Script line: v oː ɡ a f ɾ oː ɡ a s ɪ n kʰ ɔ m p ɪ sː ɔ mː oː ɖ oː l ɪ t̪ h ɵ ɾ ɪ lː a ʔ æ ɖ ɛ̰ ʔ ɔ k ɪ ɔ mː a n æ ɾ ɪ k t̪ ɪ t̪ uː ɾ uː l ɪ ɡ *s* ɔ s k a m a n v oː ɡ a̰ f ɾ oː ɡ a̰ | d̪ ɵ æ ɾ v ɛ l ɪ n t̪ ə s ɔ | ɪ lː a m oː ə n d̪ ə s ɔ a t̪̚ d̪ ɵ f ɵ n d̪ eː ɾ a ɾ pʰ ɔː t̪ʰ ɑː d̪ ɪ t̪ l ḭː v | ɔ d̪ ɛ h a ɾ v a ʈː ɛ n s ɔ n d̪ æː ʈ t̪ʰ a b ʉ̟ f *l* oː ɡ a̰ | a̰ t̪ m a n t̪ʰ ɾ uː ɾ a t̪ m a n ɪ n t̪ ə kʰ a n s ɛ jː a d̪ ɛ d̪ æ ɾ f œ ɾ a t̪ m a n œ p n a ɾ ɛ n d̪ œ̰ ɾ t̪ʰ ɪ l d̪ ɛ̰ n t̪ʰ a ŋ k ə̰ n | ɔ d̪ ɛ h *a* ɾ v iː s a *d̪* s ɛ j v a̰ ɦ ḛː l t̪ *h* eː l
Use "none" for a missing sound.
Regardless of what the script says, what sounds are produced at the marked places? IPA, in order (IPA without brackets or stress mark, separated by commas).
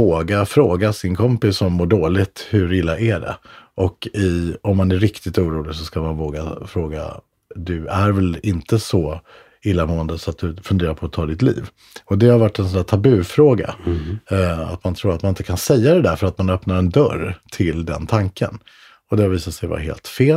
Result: s, ɾ, a, t̪, f